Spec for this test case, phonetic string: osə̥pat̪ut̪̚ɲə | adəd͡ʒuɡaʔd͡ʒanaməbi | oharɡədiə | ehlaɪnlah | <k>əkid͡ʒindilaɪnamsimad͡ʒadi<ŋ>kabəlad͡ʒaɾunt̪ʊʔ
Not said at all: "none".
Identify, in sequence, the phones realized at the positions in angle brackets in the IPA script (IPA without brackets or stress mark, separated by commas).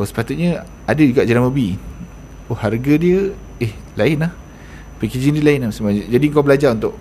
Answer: p, ŋ